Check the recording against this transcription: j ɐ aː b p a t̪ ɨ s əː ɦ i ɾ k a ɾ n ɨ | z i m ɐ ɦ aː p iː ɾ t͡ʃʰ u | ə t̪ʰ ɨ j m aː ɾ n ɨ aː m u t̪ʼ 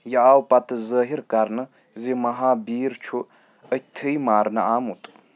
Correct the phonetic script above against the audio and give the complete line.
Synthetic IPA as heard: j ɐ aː w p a t̪ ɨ z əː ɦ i ɾ k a ɾ n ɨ | z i m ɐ ɦ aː b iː ɾ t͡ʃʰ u | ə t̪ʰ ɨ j m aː ɾ n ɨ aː m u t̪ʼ